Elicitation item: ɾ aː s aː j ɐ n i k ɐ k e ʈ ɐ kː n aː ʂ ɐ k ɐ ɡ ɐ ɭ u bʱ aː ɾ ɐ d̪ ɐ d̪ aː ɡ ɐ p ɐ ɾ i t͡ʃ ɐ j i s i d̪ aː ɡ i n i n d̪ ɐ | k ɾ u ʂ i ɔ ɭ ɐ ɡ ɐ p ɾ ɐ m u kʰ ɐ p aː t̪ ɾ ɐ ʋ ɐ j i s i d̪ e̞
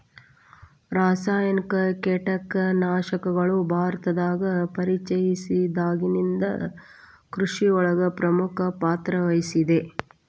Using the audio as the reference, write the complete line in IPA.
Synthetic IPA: ɾ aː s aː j ɐ n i k ɐ k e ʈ ɐ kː n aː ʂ ɐ k ɐ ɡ ɐ ɭ u bʱ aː ɾ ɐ t̪ ɐ d̪ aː ɡ ɐ p ɐ ɾ i t͡ʃ ɐ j i s i d̪ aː ɡ i n i n d̪ ɐ | k ɾ u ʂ i ɔ ɭ ɐ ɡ ɐ p ɾ ɐ m u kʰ ɐ p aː t̪ ɾ ɐ ʋ ɐ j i s i d̪ e̞